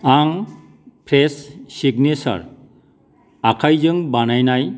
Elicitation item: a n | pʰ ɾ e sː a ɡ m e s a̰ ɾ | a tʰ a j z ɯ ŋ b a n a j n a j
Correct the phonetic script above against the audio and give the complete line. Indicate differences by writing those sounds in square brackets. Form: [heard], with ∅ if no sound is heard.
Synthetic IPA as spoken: a [ŋ] | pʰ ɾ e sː [i] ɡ [n] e s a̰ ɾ | a [kʰ] a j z ɯ ŋ b a n a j n a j